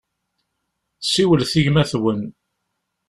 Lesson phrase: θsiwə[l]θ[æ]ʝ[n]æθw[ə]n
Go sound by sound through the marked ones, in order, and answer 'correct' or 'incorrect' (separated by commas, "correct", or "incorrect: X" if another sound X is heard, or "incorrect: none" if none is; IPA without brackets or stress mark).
correct, incorrect: i, incorrect: m, correct